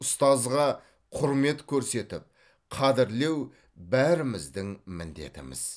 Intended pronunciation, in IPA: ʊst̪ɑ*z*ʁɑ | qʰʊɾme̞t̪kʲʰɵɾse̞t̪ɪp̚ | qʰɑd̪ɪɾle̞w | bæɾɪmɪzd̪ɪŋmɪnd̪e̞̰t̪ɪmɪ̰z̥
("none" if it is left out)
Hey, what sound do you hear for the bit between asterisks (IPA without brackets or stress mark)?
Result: z